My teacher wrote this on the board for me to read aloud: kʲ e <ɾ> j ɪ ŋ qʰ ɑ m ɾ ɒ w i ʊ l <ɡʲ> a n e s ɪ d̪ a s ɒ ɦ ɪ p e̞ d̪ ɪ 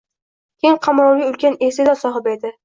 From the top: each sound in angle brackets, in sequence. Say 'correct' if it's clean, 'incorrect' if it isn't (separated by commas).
incorrect, incorrect